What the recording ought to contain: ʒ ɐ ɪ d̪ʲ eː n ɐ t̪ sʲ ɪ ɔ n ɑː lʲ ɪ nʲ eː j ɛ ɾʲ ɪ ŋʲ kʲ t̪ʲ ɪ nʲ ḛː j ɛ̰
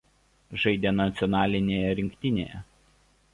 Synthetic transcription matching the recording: ʒ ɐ ɪ d̪ʲ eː n ɐ t̪ sʲ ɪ ɔ n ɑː lʲ ɪ nʲ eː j ɛ ɾʲ ɪ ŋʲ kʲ t̪ʲ ɪ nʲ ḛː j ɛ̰